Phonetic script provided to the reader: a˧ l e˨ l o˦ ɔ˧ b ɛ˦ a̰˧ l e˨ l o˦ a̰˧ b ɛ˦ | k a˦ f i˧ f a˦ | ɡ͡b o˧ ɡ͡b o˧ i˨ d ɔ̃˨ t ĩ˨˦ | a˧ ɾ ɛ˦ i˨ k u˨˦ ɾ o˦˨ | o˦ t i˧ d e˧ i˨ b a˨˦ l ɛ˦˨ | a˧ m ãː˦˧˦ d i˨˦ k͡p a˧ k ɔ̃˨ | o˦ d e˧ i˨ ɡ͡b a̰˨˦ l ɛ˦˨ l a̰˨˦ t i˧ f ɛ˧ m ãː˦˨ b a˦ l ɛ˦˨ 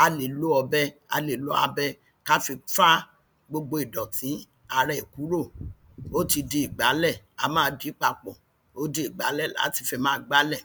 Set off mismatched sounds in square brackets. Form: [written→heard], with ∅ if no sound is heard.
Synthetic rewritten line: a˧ l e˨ l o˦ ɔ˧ b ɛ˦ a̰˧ l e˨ l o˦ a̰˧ b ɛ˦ | k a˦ f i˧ f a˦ | ɡ͡b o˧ ɡ͡b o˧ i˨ d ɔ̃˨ t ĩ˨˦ | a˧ ɾ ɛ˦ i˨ k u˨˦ ɾ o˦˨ | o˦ t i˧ d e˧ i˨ [b→ɡ͡b] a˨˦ l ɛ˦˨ | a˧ m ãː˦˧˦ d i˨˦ k͡p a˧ [k→k͡p] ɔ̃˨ | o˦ d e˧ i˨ ɡ͡b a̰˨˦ l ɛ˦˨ l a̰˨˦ t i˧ f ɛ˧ m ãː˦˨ [b→ɡ͡b] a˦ l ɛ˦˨